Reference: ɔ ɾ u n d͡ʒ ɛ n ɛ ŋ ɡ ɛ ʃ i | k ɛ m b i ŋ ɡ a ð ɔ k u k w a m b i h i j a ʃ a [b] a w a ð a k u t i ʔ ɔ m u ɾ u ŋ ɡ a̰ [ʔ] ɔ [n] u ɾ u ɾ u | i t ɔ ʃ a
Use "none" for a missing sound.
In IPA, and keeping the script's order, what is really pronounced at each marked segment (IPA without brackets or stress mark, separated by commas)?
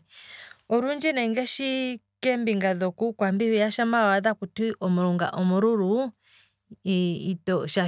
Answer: m, ʔ, m